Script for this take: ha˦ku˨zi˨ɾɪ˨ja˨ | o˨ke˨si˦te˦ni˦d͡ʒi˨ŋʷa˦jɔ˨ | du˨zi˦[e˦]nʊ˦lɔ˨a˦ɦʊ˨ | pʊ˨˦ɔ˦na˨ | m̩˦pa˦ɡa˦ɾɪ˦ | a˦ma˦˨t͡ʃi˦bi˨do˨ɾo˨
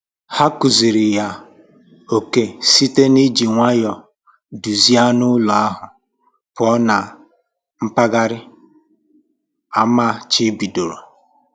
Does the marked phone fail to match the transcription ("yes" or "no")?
yes